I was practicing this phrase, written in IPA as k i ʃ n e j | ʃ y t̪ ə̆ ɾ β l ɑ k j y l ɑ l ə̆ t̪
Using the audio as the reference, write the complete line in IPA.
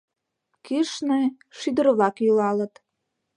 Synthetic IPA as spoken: k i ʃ n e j | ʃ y d̪ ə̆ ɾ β l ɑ k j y l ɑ l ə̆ t̪

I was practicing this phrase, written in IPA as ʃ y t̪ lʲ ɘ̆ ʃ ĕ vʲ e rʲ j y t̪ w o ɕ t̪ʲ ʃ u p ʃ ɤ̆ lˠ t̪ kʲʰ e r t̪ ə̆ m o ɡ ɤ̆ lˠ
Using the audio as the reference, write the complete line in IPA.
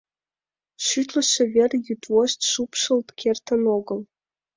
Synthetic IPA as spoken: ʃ y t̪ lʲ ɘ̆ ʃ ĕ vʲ e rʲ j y t̪ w o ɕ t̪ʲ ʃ u p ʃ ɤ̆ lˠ t̪ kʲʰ e r t̪ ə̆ n o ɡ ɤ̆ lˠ

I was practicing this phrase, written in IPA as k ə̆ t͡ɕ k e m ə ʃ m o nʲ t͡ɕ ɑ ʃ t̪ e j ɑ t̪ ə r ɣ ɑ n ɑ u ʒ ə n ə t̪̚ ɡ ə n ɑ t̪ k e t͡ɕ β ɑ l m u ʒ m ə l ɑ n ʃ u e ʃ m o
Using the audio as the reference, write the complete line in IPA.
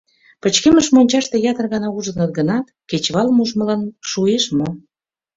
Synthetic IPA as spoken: p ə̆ t͡ɕ k e m ə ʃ m o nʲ t͡ɕ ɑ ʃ t̪ e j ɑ t̪ ə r ɣ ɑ n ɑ u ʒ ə n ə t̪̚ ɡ ə n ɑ t̪ k e t͡ɕ β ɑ l m u ʒ m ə l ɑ n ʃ u e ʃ m o

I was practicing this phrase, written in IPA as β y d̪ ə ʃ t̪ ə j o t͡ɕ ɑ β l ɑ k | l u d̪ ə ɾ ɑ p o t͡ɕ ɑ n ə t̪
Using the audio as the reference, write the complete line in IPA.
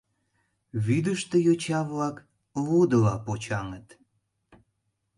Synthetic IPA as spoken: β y d̪ ə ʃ t̪ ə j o t͡ɕ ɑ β l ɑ k | l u d̪ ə l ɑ p o t͡ɕ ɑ ŋ ə t̪

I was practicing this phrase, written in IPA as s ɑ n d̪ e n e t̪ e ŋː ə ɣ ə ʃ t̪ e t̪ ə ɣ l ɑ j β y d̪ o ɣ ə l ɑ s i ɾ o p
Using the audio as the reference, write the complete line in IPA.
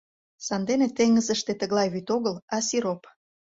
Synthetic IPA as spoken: s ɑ n d̪ e n e t̪ e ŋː ə z ə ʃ t̪ e t̪ ə ɣ l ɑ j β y t̪ o ɣ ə l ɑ s i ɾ o p

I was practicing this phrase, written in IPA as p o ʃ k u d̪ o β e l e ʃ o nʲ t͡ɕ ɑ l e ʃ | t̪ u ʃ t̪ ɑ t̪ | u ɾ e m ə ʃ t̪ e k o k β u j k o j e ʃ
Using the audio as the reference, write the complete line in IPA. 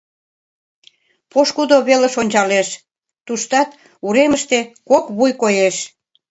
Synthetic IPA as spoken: p o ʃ k u d̪ o β e l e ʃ o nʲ t͡ɕ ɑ l e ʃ | t̪ u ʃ t̪ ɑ t̪ | u ɾ e m ə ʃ t̪ e k o k β u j k o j e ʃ

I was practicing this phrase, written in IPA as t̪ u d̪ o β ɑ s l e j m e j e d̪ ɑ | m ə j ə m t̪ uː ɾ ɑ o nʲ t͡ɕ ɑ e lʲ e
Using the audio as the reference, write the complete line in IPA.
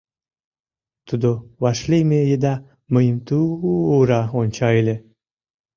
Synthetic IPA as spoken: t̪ u d̪ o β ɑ ʃ l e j m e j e d̪ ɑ | m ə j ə m t̪ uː ɾ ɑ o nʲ t͡ɕ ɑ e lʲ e

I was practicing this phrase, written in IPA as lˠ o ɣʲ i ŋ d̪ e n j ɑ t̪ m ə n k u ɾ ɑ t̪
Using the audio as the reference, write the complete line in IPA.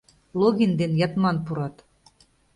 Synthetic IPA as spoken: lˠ o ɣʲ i n d̪ e n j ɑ t̪ m ɑ n p u ɾ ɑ t̪

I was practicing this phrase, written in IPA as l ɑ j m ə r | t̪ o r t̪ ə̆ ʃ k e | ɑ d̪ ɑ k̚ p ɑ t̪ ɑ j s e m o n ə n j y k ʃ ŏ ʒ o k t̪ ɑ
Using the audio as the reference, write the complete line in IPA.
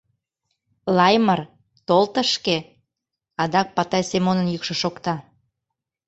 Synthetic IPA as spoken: l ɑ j m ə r | t̪ o l t̪ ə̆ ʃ k e | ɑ d̪ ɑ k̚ p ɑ t̪ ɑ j s e m o n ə n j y k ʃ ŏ ʃ o k t̪ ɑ

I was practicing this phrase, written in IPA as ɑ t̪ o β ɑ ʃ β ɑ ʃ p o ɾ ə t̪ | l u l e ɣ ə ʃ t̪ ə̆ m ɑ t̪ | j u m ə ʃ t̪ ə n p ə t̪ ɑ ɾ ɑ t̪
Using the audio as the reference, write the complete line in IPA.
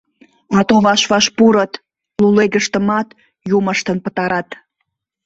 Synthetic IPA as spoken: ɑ t̪ o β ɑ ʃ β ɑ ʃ p u ɾ ə t̪ | l u l e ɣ ə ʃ t̪ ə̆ m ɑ t̪ | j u m ə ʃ t̪ ə n p ə t̪ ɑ ɾ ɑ t̪

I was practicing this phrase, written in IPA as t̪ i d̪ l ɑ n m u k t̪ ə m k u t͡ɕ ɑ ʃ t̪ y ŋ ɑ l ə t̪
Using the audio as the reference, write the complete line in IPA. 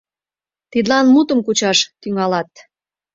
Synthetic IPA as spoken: t̪ i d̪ l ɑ n m u t̪ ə m k u t͡ɕ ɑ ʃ t̪ y ŋ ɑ l ɑ t̪

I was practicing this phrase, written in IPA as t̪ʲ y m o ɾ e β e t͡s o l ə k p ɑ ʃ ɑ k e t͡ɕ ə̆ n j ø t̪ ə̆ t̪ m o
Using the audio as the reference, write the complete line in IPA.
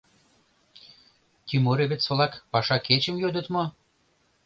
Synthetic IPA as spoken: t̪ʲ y m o ɾ e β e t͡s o l ɑ k p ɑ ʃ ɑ k e t͡ɕ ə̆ m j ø d̪ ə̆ t̪ m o

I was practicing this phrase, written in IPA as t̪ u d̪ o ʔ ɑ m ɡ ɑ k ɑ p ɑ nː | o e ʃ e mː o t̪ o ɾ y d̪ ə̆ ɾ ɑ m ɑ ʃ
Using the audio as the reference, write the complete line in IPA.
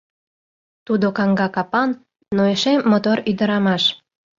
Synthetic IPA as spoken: t̪ u d̪ o k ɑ ŋ ɡ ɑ k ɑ p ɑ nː | o e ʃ e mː o t̪ o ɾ y d̪ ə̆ ɾ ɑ m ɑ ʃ

